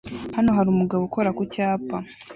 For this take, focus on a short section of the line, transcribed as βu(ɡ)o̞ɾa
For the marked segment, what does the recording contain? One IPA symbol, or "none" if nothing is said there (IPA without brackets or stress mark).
k